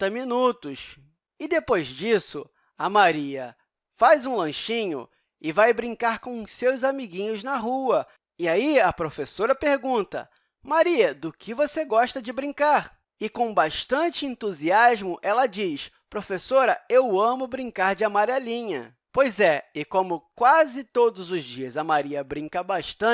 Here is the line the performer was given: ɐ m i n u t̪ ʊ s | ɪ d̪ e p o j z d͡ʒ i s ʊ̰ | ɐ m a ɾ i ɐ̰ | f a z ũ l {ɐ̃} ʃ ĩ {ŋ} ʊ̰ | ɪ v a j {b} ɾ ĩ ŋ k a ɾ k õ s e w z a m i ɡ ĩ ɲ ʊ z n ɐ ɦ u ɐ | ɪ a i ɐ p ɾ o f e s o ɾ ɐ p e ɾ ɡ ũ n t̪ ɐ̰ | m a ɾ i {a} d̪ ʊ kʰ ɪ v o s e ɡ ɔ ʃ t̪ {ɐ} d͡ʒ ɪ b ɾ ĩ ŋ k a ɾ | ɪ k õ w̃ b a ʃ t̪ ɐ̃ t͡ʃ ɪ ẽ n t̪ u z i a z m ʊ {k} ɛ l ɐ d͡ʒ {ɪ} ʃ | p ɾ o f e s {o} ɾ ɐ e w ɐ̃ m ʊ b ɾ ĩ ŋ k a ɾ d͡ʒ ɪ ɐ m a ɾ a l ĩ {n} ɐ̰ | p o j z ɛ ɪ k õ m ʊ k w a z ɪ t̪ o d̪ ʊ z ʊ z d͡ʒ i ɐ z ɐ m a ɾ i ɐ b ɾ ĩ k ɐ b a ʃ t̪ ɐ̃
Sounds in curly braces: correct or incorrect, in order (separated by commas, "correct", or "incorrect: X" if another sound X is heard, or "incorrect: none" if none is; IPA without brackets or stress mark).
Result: correct, incorrect: ɲ, correct, incorrect: ɐ, correct, incorrect: ʔ, incorrect: i, correct, incorrect: ɲ